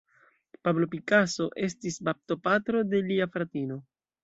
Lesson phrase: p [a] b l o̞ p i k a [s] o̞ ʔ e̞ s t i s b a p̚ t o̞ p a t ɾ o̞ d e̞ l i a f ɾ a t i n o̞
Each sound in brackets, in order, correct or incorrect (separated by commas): correct, correct